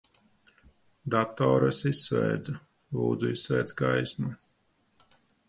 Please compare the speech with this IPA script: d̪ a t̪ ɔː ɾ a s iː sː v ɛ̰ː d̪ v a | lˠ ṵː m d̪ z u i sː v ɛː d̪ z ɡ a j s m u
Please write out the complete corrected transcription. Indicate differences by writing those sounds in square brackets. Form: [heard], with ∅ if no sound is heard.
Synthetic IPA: d̪ a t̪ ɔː ɾ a s [i] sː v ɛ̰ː d̪ [z] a | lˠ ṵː [∅] d̪ z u i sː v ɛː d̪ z ɡ a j s m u